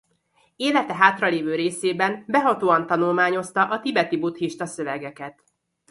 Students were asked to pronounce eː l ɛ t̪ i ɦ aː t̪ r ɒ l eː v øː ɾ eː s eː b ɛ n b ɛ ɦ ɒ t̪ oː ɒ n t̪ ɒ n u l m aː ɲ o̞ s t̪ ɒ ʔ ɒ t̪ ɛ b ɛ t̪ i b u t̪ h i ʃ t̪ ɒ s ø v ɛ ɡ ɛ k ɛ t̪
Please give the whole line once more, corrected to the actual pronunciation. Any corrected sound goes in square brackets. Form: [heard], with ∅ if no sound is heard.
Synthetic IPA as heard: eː l ɛ t̪ [ɛ] ɦ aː t̪ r ɒ l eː v øː ɾ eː s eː b ɛ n b ɛ ɦ ɒ t̪ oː ɒ n t̪ ɒ n u l m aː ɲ o̞ s t̪ ɒ ʔ ɒ t̪ [i] b ɛ t̪ i b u t̪ h i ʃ t̪ ɒ s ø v ɛ ɡ ɛ k ɛ t̪